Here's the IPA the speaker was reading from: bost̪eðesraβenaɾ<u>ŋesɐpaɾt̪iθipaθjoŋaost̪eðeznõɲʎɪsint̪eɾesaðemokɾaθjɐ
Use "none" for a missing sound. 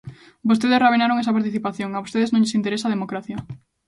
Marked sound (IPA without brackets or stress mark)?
o